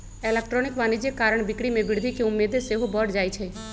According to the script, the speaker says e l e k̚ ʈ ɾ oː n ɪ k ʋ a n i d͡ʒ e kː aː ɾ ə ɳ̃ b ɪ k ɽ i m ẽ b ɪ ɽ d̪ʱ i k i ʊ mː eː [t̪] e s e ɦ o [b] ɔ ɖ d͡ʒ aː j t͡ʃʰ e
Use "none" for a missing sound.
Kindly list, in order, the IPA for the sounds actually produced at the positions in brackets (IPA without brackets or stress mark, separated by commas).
d̪, b